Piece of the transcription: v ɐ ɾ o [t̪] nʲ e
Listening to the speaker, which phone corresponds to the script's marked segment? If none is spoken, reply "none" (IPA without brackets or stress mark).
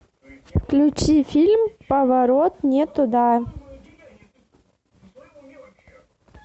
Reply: t̪